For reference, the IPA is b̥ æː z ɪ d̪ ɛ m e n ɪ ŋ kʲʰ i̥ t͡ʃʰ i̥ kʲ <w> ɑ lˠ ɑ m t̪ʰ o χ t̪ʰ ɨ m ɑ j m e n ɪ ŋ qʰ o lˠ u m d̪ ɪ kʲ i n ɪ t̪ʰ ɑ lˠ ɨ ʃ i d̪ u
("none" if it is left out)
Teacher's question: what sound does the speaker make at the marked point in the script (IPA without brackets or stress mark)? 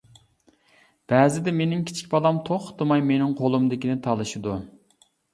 b